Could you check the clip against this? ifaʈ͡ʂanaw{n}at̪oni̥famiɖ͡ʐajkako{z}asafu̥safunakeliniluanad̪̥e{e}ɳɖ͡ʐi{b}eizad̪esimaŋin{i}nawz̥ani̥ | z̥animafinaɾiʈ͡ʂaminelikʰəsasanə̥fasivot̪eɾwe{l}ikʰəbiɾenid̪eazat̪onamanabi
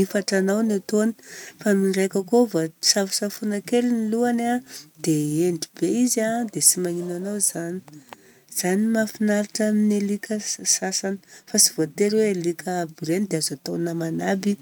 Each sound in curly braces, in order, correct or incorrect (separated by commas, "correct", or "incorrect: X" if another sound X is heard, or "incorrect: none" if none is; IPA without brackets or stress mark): correct, incorrect: v, correct, correct, incorrect: a, correct